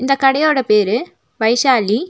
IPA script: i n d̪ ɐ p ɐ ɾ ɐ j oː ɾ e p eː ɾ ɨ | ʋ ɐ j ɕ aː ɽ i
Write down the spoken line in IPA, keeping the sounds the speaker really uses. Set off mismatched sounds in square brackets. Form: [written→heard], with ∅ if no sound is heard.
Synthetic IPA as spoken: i n d̪ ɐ [p→k] ɐ [ɾ→ɽ] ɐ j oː [ɾ→ɽ] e p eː ɾ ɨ | ʋ ɐ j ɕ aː [ɽ→l] i